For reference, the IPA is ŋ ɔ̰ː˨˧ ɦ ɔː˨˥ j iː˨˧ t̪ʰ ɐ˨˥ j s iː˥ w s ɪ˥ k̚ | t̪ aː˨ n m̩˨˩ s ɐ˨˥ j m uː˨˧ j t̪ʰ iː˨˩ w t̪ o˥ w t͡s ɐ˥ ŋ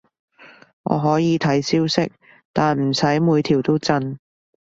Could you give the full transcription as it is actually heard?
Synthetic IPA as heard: ŋ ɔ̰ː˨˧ ɦ ɔː˨˥ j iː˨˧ t̪ʰ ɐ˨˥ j s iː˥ w s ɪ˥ k̚ | t̪ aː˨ n m̩˨˩ s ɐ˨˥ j m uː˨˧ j t̪ʰ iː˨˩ w t̪ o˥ w t͡s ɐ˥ n